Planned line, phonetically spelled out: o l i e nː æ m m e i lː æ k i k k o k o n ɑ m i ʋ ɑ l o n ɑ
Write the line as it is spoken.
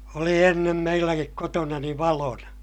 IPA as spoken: o l i e nː e m m e i lː æ k i k k o t o n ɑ n i ʋ ɑ l o n ɑ

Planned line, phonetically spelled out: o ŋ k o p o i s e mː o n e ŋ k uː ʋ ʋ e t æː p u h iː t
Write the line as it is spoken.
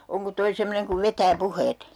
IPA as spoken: o ŋ k o t o i s e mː o n e ŋ k u ʋ ʋ e t æː p u h eː t

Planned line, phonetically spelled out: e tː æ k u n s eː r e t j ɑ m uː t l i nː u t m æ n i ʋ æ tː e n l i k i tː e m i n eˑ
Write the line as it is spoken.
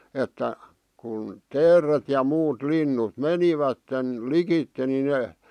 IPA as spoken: e tː æ k u n t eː r e t j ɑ m uː t l i nː u t m e n i ʋ æ tː e n l i k i tː e n i n eˑ

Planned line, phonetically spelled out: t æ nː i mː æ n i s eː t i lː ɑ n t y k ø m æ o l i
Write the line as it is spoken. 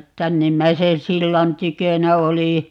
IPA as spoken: t æ nː i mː æ i s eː s i lː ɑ n t y k ø n æ o l i

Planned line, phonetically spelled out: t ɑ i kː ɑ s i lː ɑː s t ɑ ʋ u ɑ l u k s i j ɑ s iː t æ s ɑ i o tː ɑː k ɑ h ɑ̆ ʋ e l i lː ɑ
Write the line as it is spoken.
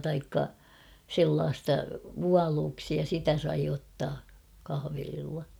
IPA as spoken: t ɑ i kː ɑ s e lː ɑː s t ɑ ʋ u ɑ l uː k s i j ɑ s i t æ s ɑ i o tː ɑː k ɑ h ɑ̆ ʋ e l i lː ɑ

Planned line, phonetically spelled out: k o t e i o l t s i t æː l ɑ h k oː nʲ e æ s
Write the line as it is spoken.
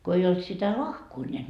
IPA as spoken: k o e i o l t s i t æ l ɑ h k oː nʲ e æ t

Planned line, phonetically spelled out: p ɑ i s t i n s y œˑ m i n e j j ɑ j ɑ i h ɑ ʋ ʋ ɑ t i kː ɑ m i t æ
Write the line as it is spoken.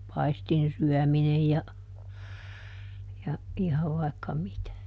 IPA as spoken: p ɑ i s t i n s y œˑ m i n e j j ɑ j ɑ i h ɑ ʋ ʋ ɑ i kː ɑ m i t æ

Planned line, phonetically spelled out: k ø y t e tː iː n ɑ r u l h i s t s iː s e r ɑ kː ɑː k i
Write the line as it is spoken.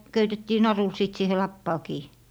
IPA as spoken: k ø y t e tː iː n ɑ r u l s i t s iː h e l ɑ pː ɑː k iː

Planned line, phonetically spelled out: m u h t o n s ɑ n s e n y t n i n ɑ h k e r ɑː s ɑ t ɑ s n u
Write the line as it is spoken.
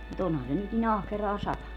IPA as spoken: m u t o n h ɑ n s e n y t n i n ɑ h k e r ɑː s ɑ t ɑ n u

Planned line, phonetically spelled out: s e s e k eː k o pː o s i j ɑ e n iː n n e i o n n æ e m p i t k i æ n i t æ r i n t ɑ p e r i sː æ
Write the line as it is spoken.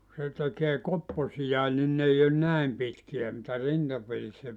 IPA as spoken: s e t e k eː k o pː o s i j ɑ e n i n n e i o n n æ e m p i t k i æ m i t æ r i n t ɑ p e r i sː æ

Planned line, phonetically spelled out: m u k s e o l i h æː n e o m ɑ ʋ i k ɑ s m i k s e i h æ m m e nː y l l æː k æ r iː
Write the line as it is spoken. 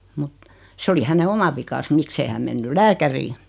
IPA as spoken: m u t s e o l i h æ n e o m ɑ ʋ i k ɑ s m i k s e i h æ m m e nː y l l æː k æ r iː

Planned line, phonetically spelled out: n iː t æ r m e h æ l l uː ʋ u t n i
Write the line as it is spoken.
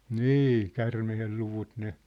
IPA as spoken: n iː k æ r m e h e l l u ʋ u t n e

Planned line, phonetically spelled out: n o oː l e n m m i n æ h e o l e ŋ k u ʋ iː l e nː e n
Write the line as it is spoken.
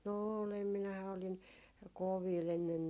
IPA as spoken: n o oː l e m m i n æ h æ o l i ŋ k o ʋ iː l e nː e n

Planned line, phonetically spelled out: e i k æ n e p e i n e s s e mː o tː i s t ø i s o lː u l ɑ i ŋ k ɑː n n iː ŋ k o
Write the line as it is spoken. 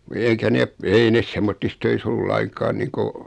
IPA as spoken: e i k æ n e p e i n e s s e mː o tː i s t ø i s o lː u l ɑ i ŋ k ɑː n n iː ŋ k o

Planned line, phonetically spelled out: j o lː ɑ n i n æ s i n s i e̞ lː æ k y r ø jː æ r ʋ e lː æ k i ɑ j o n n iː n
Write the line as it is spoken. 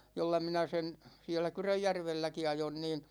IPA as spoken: j o lː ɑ m i n æ s e n s i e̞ lː æ k y r ø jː æ r ʋ e lː æ k i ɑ j o n n iː n

